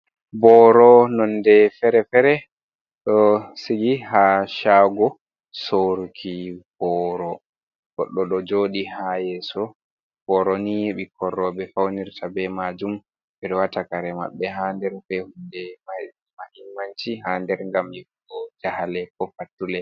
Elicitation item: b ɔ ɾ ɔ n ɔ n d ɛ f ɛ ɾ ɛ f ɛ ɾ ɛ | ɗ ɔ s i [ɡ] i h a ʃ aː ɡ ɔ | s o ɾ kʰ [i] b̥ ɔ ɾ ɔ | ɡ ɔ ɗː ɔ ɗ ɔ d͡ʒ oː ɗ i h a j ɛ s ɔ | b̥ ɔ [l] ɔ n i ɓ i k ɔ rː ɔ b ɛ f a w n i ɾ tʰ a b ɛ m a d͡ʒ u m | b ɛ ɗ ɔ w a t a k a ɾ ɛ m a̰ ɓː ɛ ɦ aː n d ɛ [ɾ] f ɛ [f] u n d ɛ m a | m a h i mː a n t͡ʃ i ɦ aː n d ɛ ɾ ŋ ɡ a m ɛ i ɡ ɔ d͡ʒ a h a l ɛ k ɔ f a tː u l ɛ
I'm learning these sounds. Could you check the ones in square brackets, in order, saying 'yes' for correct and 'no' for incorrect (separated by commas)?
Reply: yes, yes, no, yes, no